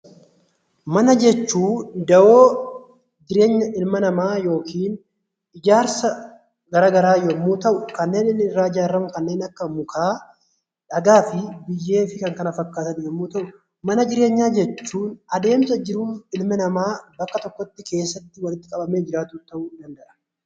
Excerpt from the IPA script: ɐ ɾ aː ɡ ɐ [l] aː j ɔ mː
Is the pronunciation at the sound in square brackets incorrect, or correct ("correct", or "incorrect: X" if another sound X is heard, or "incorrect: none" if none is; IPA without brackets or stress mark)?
incorrect: ɾ